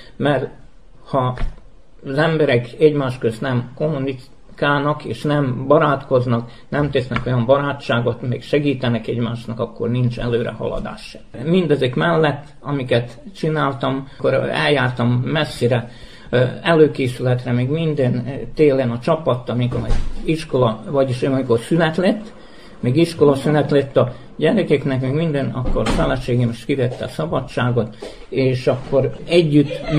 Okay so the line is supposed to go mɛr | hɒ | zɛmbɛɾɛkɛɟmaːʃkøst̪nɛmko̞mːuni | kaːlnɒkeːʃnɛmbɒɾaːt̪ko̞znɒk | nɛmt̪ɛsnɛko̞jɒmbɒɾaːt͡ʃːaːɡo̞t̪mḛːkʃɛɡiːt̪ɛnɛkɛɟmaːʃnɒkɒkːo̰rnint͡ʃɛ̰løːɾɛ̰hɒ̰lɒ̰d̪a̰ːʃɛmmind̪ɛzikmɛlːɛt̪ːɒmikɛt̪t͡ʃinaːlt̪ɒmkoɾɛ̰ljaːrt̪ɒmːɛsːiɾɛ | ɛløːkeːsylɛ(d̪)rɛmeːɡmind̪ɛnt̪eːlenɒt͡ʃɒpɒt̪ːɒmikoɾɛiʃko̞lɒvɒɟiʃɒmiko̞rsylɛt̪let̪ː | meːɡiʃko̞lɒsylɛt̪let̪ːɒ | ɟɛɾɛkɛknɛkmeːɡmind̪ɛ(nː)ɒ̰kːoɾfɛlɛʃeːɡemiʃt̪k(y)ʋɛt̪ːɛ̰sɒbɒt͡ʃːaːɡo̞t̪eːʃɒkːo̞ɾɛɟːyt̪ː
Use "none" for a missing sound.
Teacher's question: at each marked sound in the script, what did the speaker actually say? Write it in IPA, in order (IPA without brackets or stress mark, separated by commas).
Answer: t̪, n, i